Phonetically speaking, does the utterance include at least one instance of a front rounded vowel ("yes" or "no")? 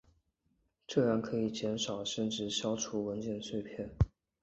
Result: no